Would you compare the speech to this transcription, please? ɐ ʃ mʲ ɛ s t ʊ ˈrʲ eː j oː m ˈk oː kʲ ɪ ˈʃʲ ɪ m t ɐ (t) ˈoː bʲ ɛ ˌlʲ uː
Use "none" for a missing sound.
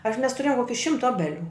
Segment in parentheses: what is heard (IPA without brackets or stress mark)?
none